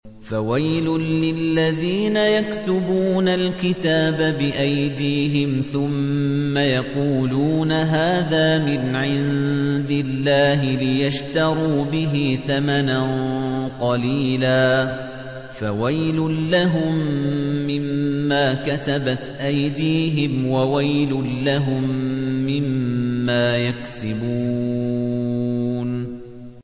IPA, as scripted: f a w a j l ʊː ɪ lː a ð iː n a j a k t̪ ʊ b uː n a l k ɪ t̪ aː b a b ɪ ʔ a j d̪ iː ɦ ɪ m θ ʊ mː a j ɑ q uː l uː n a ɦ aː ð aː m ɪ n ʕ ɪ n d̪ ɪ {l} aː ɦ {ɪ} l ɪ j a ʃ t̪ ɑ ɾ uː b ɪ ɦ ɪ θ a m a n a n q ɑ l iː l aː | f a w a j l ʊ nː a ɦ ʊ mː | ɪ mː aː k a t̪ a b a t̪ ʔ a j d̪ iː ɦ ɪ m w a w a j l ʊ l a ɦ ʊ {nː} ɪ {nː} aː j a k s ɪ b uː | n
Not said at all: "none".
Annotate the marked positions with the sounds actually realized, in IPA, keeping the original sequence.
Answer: lː, ɪ, mː, mː

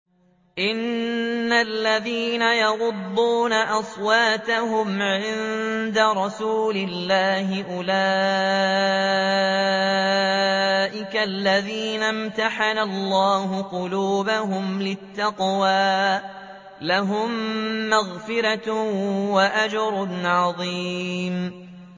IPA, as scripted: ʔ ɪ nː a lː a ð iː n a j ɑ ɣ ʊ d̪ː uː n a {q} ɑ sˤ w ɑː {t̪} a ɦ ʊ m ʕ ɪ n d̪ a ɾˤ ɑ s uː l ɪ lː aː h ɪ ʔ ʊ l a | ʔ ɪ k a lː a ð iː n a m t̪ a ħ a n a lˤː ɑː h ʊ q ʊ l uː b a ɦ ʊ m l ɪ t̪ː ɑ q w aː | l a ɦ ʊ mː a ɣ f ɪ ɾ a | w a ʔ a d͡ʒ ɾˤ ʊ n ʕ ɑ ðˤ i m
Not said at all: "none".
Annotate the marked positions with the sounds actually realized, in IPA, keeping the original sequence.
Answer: ʔ, t̪

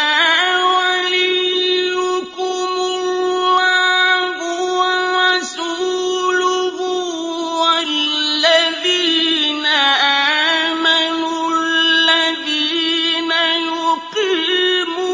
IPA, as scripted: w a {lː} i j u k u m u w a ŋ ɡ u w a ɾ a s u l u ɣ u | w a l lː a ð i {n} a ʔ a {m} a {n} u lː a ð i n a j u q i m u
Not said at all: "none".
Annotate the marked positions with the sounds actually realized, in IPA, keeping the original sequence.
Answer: l, n, m, n

